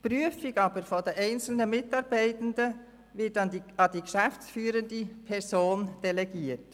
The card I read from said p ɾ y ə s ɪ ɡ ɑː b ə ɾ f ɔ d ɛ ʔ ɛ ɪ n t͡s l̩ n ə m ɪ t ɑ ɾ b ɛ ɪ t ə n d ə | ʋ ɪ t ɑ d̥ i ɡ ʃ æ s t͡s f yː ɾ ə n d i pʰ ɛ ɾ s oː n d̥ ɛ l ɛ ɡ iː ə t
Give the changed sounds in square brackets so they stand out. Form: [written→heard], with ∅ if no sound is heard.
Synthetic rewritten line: p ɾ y ə [s→f] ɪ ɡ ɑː b ə ɾ f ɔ d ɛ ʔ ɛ ɪ n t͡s l̩ n ə m ɪ t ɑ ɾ b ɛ ɪ t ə n d ə | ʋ ɪ t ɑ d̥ i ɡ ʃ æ [s→f] t͡s f yː ɾ ə n d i pʰ ɛ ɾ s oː n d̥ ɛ l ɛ ɡ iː ə t